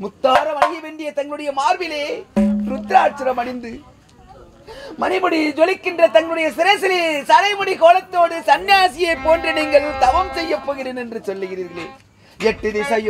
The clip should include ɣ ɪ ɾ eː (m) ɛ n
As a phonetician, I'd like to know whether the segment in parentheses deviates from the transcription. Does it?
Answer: yes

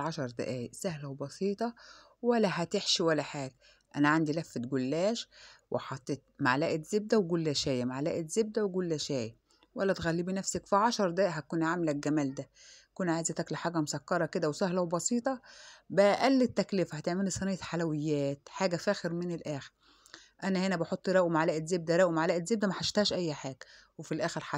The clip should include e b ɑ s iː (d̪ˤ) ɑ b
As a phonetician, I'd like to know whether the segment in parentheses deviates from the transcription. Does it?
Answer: yes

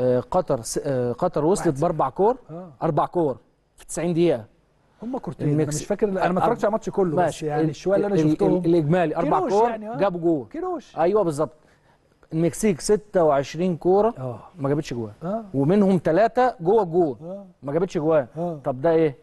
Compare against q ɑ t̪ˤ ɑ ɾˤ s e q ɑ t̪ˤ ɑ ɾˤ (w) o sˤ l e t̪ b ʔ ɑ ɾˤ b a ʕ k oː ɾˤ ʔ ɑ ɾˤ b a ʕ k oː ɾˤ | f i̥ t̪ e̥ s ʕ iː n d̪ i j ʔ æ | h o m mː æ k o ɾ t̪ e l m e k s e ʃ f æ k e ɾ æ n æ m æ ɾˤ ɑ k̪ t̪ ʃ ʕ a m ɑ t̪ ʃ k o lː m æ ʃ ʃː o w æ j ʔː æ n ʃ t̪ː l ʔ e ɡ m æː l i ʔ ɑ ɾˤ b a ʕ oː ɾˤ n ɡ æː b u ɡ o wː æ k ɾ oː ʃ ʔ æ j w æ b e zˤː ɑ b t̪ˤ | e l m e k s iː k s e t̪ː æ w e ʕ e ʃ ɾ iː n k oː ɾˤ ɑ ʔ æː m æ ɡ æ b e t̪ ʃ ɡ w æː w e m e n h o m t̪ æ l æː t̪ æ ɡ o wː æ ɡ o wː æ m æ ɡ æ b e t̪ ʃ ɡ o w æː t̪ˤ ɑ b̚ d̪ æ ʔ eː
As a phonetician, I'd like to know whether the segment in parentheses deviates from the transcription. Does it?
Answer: no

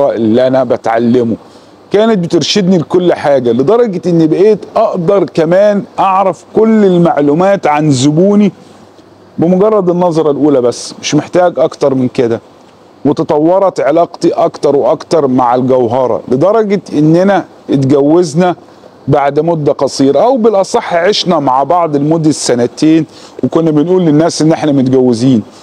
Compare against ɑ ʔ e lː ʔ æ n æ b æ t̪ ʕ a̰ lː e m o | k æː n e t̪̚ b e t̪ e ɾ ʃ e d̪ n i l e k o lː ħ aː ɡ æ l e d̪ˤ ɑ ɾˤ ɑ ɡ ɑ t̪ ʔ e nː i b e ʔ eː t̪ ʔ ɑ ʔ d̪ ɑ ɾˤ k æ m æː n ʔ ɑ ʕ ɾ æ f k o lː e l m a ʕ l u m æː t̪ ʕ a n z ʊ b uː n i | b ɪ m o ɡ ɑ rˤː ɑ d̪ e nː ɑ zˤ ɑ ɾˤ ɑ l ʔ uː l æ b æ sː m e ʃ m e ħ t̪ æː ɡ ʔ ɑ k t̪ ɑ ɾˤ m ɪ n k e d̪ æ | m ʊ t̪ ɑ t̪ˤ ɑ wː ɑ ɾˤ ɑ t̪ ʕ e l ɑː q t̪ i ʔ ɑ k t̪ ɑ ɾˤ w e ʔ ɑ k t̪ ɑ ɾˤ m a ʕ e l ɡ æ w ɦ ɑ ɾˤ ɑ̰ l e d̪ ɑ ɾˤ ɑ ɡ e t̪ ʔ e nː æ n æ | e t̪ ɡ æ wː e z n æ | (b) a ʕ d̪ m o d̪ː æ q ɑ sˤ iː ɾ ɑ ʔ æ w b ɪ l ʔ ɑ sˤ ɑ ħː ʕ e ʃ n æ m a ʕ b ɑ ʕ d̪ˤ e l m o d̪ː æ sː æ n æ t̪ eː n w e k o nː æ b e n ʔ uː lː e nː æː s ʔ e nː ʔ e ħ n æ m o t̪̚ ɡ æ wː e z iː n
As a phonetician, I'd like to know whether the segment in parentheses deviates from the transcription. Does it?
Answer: no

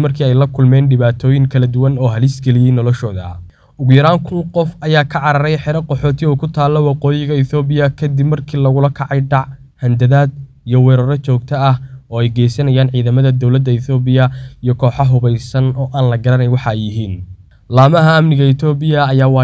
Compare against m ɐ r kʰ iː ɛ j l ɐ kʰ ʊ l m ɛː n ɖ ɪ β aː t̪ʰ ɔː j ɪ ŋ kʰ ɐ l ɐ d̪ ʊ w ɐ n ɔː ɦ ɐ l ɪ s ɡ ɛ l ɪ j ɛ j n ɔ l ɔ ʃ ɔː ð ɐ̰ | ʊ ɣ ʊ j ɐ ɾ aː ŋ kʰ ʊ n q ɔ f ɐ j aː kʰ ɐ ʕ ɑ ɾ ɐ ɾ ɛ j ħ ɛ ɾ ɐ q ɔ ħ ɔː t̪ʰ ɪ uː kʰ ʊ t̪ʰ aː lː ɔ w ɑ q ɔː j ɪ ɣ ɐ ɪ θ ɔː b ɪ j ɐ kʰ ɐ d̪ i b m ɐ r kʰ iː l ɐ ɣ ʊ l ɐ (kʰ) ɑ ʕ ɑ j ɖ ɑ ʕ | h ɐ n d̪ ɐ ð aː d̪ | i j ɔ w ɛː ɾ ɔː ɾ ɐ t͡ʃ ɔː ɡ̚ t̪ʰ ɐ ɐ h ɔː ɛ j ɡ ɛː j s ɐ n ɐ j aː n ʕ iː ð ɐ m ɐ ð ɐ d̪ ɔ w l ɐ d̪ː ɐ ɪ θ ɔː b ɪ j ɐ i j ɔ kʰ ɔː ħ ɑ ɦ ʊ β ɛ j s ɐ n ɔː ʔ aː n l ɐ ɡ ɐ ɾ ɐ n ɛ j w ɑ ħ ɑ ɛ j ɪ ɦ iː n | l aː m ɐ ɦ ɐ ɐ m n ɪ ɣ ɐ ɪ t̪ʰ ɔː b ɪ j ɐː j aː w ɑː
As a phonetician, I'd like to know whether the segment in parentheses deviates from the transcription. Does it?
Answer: no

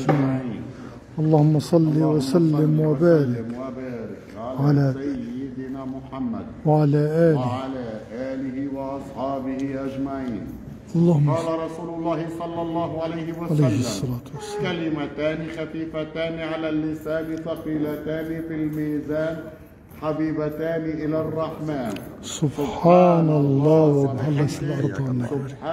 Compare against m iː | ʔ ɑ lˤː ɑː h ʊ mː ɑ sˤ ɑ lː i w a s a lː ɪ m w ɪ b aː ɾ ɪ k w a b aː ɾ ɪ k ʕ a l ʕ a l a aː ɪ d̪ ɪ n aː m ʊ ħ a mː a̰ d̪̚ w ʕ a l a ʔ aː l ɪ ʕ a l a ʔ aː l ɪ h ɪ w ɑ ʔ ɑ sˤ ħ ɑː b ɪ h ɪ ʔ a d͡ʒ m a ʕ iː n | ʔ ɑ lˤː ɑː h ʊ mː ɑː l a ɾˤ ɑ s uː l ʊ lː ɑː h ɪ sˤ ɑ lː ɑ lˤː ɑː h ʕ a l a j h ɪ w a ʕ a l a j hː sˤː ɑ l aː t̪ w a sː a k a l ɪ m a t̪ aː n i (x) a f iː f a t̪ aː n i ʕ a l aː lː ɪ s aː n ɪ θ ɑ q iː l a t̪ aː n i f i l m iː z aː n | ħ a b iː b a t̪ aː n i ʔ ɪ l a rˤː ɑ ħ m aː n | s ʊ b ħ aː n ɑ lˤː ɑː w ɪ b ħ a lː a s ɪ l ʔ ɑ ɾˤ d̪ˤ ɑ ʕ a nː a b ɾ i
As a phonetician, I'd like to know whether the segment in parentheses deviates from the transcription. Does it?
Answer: no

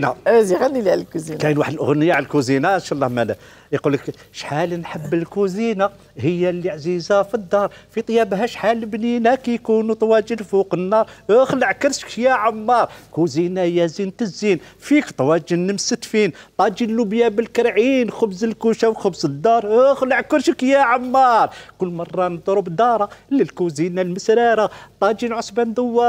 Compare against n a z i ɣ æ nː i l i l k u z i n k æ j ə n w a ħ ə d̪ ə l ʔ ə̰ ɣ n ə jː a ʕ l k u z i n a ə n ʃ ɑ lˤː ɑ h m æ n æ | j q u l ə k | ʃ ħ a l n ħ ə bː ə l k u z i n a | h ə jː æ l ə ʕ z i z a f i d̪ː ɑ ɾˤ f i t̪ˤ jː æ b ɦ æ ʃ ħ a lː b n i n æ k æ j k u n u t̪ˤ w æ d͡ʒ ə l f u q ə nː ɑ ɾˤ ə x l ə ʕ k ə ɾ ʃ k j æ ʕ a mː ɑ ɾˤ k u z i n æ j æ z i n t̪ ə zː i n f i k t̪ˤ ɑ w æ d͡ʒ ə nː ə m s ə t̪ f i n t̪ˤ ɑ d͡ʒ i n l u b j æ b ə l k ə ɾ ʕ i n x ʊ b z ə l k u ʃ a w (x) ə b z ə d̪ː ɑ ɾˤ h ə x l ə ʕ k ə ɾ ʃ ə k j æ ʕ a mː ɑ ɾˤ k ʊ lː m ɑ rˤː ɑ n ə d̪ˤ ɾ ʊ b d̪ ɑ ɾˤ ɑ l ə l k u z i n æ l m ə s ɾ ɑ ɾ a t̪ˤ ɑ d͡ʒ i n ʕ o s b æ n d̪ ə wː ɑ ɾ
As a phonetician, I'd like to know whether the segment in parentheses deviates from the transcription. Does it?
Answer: no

